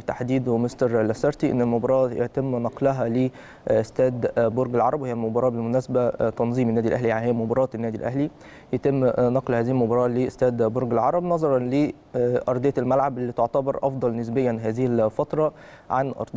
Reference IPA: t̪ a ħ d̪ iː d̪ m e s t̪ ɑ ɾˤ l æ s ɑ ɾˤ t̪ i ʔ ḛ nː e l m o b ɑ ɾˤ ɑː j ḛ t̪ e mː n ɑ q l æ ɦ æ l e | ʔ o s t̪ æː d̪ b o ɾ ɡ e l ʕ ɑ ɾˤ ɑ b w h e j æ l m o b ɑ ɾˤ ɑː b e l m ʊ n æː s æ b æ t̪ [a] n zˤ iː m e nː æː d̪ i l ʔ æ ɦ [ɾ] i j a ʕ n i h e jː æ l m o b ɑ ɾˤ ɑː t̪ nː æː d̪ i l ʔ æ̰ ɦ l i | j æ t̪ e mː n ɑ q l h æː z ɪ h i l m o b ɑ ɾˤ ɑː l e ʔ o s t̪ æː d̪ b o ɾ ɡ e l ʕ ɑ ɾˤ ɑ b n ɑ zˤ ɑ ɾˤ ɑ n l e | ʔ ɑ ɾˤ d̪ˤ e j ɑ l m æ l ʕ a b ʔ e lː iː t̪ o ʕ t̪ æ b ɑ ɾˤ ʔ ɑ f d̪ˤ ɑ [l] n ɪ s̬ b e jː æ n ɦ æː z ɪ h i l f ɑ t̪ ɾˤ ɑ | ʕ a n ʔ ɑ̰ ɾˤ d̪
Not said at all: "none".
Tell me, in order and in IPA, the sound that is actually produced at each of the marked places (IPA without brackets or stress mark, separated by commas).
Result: ɑ, l, l